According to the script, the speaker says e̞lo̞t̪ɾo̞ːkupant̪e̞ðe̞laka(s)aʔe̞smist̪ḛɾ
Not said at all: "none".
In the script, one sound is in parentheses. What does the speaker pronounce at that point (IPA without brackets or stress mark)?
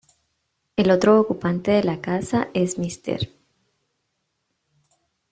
s